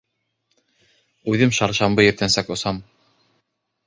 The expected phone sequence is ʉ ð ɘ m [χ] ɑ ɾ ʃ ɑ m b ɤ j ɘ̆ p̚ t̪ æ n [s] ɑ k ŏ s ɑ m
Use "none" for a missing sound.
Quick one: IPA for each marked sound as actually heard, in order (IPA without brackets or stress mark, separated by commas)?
ʃ, s